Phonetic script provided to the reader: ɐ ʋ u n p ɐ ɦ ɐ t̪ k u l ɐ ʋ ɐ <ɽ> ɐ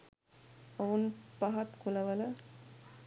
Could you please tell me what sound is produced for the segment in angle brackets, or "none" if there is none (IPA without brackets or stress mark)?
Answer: l